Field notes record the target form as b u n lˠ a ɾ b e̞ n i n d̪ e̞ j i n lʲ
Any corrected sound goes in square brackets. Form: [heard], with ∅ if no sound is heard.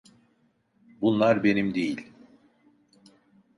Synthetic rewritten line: b u n lˠ a ɾ b e̞ n i [m] d̪ e̞ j i [∅] lʲ